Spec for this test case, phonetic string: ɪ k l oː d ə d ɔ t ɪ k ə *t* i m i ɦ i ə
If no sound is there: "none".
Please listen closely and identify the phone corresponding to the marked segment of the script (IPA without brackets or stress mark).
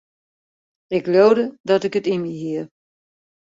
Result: t